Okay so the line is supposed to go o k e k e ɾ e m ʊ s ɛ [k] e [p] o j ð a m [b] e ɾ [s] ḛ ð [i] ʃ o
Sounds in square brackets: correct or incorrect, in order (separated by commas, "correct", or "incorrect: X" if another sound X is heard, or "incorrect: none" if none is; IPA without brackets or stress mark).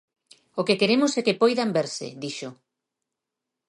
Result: correct, correct, correct, correct, correct